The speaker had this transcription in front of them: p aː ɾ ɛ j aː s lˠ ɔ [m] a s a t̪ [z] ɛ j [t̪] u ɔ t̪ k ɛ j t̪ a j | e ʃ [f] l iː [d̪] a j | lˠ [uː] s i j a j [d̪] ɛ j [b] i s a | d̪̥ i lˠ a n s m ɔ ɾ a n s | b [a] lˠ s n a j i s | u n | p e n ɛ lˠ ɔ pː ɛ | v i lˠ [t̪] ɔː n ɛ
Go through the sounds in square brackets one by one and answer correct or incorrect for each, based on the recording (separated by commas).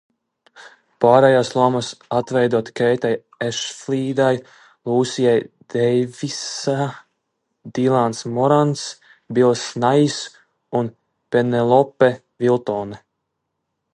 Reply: correct, incorrect, incorrect, correct, correct, correct, correct, incorrect, incorrect, correct